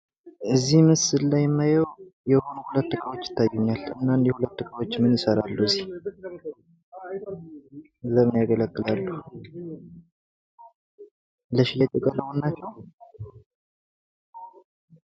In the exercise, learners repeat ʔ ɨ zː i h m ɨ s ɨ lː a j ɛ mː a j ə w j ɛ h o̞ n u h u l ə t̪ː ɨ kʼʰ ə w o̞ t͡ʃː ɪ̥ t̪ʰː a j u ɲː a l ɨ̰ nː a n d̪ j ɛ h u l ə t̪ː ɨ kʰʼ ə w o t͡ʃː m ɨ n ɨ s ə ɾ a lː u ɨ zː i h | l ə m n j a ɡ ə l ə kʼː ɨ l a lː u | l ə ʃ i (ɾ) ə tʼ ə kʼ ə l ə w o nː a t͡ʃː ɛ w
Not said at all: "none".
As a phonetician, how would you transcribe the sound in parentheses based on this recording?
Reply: l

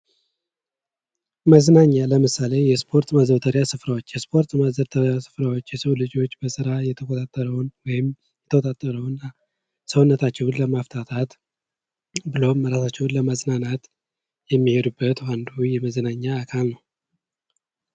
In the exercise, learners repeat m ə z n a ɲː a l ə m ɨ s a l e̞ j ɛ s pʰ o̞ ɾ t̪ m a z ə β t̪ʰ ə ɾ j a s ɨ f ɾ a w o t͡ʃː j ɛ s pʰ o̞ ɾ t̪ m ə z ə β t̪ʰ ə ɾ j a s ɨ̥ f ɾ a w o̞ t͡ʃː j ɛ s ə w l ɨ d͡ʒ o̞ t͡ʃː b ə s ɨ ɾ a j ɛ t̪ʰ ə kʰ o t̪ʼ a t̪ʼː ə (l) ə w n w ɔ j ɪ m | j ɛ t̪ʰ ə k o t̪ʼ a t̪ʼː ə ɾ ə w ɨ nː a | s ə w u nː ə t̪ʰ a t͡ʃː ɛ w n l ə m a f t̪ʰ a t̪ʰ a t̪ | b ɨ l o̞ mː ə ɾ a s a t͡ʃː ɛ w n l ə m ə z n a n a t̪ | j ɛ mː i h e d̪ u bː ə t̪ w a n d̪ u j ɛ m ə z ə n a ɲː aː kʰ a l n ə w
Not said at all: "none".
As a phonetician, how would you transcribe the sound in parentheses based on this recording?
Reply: ɾ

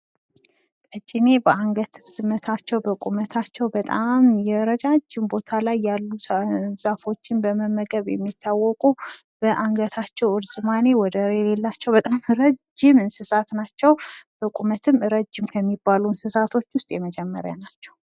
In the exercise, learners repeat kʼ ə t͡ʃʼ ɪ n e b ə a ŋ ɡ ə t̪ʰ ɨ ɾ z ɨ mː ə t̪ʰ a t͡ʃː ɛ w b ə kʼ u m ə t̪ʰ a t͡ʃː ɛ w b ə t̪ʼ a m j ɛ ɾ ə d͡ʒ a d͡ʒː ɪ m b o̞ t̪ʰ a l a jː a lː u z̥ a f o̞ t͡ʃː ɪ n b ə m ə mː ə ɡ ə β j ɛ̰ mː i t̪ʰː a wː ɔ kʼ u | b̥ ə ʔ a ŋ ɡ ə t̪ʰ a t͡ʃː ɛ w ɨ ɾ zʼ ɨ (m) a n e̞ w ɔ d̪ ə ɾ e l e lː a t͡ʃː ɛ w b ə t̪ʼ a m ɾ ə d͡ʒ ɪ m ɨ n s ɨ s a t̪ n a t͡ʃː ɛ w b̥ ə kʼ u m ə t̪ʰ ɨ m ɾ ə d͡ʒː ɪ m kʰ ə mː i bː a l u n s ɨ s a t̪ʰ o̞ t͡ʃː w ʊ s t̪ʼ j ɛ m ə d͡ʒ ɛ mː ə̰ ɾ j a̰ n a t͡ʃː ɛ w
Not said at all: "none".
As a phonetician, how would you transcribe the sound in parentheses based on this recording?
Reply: m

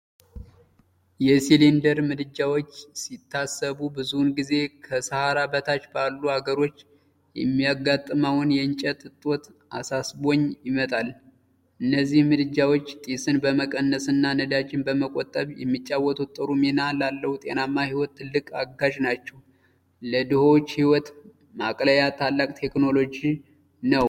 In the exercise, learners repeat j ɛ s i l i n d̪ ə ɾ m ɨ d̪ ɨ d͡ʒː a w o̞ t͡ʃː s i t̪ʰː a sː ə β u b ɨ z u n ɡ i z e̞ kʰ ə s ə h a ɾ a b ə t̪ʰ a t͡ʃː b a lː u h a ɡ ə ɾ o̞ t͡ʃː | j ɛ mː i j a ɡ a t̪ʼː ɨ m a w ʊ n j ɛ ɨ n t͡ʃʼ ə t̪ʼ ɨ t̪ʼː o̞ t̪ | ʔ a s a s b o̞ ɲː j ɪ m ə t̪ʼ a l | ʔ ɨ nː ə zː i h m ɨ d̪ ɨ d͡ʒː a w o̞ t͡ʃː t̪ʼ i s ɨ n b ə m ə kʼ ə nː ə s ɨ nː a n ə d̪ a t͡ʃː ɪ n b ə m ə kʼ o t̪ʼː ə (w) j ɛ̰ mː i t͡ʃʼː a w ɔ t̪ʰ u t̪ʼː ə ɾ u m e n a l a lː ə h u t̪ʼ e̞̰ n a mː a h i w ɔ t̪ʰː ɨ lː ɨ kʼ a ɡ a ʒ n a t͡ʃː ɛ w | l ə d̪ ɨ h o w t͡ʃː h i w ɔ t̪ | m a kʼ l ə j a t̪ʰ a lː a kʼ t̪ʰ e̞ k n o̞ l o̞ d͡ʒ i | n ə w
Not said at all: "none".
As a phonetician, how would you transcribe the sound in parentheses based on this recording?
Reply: β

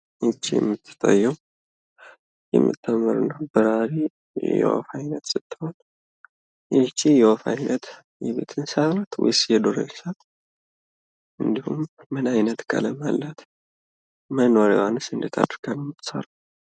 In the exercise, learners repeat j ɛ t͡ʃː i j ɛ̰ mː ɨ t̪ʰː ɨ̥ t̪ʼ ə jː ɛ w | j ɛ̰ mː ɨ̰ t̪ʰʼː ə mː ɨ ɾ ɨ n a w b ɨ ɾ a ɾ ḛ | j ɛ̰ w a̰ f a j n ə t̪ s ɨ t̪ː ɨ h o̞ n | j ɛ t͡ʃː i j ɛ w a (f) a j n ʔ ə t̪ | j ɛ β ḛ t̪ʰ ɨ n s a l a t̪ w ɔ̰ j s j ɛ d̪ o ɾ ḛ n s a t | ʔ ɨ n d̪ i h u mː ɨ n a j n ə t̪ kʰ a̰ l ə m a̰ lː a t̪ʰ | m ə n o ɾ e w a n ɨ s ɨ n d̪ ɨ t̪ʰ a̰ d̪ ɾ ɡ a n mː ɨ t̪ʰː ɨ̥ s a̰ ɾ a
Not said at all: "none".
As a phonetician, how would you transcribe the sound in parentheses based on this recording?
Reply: f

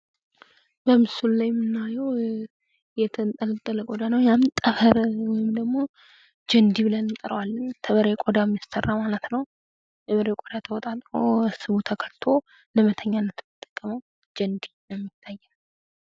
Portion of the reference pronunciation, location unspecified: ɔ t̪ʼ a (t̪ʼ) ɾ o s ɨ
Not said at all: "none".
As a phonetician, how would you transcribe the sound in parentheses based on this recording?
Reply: t̪ʼ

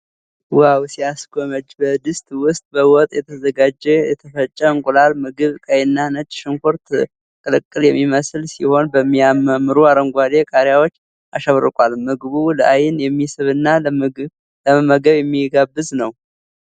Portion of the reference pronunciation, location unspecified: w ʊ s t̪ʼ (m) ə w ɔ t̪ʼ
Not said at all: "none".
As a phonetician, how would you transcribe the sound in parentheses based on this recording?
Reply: b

